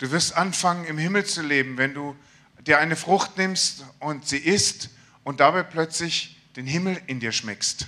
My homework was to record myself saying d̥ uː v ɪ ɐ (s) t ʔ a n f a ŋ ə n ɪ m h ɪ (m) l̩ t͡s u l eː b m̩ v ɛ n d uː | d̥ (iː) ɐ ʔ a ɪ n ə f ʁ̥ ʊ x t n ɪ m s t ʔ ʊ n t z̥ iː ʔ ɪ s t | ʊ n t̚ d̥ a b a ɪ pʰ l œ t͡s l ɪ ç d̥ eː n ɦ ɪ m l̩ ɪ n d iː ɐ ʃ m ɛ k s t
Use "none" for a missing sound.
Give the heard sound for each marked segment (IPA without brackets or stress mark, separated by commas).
s, m, iː